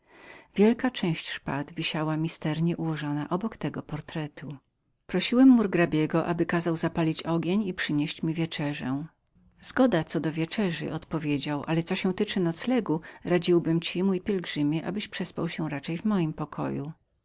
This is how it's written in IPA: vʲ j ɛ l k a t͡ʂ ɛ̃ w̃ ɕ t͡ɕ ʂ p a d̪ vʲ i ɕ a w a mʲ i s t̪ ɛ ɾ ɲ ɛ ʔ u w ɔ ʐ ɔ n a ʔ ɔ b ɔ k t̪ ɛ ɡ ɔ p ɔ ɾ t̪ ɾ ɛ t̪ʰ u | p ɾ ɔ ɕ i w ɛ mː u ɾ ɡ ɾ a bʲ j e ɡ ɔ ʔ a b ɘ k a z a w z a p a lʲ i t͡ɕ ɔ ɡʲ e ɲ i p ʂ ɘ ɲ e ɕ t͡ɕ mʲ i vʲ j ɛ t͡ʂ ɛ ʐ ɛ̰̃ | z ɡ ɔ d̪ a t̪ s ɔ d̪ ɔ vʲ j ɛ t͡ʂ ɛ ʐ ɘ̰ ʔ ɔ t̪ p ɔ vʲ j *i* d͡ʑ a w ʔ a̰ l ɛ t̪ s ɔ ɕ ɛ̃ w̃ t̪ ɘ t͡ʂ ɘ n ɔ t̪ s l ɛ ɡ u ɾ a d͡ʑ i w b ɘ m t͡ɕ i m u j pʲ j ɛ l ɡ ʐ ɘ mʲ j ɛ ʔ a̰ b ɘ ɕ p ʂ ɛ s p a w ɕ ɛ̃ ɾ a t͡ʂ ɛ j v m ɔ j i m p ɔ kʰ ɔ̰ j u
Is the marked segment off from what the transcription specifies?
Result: yes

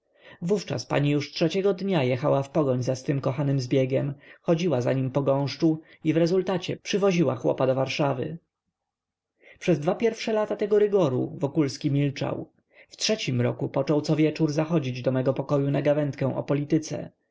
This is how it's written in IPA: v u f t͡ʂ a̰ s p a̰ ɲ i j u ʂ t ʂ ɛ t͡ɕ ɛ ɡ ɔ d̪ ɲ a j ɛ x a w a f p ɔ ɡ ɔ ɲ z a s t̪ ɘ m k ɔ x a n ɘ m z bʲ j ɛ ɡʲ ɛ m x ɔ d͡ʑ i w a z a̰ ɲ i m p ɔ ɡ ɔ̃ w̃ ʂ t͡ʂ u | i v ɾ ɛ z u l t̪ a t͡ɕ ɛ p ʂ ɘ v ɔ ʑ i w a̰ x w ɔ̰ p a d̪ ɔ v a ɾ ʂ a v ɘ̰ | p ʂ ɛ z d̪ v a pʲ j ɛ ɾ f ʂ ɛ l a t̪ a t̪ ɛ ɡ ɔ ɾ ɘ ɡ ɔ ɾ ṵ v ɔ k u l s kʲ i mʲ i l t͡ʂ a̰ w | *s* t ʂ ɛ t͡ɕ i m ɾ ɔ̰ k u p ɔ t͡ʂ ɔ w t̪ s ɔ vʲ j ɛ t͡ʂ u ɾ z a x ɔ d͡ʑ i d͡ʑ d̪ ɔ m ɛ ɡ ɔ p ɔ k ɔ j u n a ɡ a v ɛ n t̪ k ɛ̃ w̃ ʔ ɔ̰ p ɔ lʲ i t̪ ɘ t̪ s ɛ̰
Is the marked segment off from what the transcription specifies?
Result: yes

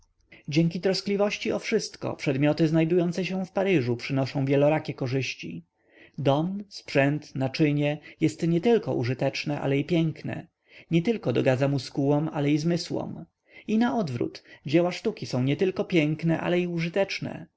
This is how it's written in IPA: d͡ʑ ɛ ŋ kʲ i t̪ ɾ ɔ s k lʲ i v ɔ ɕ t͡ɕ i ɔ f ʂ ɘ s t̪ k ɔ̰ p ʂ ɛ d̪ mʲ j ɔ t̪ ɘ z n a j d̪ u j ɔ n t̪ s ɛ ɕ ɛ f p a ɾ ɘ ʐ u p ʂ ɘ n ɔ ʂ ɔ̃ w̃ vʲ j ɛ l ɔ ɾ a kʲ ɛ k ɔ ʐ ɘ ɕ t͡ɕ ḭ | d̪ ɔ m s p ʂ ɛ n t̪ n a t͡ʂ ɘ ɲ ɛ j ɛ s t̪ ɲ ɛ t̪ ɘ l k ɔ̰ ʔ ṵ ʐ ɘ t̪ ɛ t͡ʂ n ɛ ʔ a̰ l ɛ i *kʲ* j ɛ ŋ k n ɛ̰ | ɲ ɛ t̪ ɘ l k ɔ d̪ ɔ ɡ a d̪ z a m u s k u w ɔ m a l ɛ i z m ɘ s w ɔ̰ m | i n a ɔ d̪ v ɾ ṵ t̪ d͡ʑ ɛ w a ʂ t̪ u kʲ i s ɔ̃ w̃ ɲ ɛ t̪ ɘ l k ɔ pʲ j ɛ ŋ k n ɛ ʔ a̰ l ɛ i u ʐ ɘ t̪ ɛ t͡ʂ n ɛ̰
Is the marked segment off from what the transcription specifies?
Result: yes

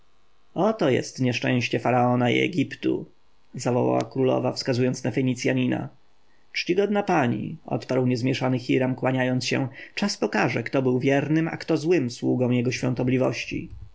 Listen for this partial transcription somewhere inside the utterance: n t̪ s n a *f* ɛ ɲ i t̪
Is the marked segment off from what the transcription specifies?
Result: no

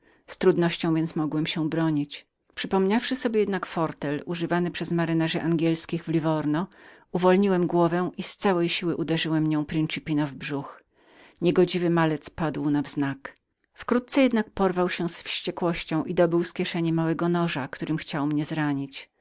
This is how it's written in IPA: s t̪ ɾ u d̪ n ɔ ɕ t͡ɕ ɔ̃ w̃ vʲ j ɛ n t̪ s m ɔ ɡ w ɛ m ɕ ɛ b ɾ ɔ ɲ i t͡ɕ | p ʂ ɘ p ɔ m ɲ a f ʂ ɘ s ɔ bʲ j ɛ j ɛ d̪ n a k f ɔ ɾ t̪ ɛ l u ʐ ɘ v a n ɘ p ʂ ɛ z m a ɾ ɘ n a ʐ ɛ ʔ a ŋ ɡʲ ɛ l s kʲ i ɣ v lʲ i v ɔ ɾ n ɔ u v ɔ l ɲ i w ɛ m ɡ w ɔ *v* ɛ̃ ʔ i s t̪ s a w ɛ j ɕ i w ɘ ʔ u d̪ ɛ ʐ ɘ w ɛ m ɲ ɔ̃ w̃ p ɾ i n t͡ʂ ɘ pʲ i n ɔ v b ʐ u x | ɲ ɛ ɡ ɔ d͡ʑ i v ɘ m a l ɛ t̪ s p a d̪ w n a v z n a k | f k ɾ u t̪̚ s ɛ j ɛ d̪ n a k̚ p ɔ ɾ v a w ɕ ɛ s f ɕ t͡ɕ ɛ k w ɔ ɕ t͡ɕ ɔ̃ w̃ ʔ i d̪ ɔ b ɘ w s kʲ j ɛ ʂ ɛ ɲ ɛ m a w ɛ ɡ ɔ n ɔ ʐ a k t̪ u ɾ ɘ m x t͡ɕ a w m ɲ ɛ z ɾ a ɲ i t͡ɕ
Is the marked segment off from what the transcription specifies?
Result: no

